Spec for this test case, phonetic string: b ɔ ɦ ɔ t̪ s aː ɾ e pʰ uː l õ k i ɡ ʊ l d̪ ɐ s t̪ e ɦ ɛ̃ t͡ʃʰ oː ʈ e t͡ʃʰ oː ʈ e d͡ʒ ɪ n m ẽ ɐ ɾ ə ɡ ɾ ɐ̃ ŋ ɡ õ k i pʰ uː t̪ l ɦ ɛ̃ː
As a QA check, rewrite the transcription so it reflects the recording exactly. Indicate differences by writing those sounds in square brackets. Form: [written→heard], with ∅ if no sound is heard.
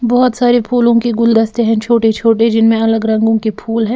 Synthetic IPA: b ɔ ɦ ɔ t̪ s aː ɾ e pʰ uː l õ k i ɡ ʊ l d̪ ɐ s t̪ e ɦ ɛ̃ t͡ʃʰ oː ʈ e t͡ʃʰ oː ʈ e d͡ʒ ɪ n m ẽ ɐ [ɾ→l] ə ɡ ɾ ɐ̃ ŋ ɡ õ k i pʰ uː [t̪→∅] l ɦ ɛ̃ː